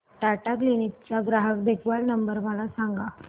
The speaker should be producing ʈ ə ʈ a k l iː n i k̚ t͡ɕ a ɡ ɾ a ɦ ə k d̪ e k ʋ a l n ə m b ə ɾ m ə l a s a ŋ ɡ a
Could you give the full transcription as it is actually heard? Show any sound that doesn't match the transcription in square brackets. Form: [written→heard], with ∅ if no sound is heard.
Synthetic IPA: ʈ [ə→a] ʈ a k l [iː→i] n i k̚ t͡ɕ a ɡ ɾ a ɦ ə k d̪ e k ʋ a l n ə m b ə ɾ m ə l a s a ŋ ɡ a